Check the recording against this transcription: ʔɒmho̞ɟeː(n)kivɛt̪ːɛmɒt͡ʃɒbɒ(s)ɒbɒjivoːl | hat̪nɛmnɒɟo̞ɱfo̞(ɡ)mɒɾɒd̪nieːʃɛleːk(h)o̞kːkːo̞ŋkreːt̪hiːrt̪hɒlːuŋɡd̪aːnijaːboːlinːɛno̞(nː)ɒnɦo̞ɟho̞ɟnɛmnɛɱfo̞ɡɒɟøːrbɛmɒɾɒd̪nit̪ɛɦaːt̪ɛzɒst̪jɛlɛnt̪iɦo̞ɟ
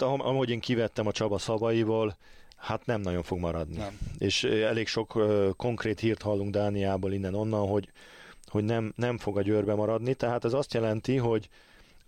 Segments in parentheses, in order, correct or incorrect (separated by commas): incorrect, correct, correct, incorrect, correct